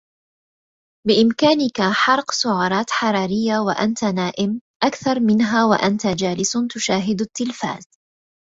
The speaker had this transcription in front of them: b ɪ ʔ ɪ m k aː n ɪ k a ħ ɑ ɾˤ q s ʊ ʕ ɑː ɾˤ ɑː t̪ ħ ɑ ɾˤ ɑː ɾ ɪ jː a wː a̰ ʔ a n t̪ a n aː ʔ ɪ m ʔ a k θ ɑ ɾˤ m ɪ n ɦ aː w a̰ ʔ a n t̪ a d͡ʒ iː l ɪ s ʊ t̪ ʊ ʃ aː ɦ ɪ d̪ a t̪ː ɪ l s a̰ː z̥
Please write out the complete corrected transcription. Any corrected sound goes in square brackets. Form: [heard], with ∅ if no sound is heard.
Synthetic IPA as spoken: b ɪ ʔ ɪ m k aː n ɪ k a ħ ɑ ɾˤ q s ʊ ʕ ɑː ɾˤ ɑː t̪ ħ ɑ ɾˤ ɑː ɾ ɪ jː a [w] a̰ ʔ a n t̪ a n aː ʔ ɪ m ʔ a k θ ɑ ɾˤ m ɪ n ɦ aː w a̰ ʔ a n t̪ a d͡ʒ [aː] l ɪ s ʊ t̪ ʊ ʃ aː ɦ ɪ d̪ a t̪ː ɪ l [f] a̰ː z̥